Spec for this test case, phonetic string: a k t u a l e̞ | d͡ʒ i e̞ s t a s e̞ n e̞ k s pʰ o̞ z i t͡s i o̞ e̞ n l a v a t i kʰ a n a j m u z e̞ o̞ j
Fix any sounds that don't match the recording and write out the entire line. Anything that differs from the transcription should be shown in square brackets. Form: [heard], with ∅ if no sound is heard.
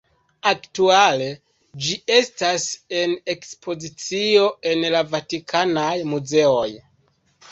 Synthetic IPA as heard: a k t u a l e̞ | d͡ʒ i e̞ s t a s e̞ n e̞ k s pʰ o̞ z i t͡s i o̞ e̞ n l a v a t i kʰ a n a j m u z e̞ o̞ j